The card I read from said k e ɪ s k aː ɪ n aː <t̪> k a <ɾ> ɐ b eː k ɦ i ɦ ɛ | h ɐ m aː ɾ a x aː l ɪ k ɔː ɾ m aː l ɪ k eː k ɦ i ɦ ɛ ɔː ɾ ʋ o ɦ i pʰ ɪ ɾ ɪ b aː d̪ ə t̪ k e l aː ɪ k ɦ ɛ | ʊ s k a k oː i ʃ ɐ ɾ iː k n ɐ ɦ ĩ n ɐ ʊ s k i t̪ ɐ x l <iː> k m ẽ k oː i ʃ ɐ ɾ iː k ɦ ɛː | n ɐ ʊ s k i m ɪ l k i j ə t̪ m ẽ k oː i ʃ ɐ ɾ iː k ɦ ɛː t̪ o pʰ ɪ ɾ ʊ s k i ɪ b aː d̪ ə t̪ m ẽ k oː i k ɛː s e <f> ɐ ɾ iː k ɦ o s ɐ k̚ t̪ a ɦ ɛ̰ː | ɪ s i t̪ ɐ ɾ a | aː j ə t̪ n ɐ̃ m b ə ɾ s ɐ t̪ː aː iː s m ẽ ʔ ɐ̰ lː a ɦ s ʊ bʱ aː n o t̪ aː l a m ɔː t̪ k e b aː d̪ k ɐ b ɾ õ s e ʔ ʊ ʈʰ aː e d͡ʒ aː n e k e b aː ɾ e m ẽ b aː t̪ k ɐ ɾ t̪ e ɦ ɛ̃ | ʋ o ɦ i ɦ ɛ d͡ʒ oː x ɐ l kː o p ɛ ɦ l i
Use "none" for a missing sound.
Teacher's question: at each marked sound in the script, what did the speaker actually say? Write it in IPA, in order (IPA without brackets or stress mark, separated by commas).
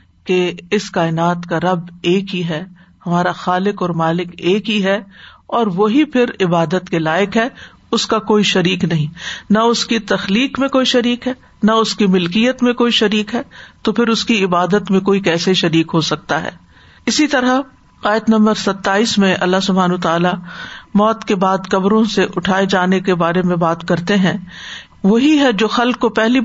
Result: t̪, ɾ, iː, ʃ